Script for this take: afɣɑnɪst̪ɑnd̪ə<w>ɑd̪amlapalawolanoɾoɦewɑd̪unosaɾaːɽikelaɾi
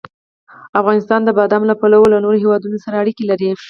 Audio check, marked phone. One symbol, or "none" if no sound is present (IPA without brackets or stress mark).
b